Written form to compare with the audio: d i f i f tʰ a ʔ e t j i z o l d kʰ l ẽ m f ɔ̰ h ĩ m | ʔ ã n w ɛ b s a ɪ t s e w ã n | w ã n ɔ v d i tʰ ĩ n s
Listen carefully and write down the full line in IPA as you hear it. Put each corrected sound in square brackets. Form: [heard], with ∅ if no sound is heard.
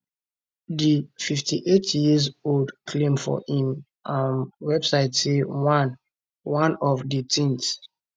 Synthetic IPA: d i f i f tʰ [i] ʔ e t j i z o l d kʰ l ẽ m f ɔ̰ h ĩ m | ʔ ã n w ɛ b s a ɪ t s e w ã n | w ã n ɔ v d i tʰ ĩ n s